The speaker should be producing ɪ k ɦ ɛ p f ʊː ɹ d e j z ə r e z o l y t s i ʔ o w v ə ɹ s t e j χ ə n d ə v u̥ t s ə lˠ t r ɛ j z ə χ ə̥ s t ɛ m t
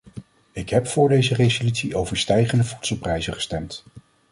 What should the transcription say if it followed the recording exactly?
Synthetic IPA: ɪ k ɦ ɛ p f ʊː ɹ d e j z ə r e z o l y t s i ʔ o w v ə ɹ s t ɛ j χ ə n d ə v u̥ t s ə lˠ p r ɛ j z ə χ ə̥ s t ɛ m t

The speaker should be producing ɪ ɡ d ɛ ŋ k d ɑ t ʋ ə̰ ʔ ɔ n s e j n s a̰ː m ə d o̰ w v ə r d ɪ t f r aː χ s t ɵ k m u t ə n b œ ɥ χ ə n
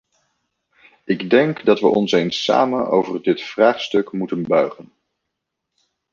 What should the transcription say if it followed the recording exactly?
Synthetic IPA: ɪ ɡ d ɛ ŋ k d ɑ t ʋ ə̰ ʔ ɔ n s e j n s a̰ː m ə n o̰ w v ə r d ɪ t f r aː χ s t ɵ k m u t ə n b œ ɥ χ ə n

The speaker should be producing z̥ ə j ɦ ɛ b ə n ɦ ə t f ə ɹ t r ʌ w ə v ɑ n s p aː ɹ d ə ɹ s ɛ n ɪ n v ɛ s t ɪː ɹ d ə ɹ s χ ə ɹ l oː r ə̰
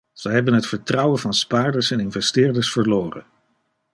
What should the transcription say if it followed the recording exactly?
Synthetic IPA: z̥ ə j ɦ ɛ b ə n ɦ ə t f ə ɹ t r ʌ w ə v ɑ n s p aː ɹ d ə ɹ s ɛ n ɪ n v ɛ s t ɪː ɹ d ə ɹ s f ə ɹ l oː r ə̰

